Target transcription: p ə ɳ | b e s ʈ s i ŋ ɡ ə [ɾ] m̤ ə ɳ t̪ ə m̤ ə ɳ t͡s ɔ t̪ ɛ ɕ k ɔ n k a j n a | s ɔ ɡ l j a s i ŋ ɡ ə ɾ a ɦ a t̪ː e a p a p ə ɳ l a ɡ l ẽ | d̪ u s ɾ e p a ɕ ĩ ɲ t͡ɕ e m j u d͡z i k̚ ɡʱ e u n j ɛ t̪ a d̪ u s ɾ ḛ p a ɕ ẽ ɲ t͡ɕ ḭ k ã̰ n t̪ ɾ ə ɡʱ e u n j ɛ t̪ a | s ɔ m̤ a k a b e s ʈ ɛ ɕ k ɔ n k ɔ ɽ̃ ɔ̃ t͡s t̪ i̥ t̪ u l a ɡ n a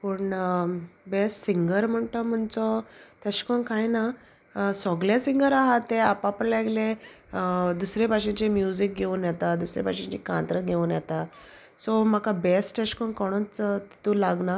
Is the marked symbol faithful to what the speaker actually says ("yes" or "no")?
yes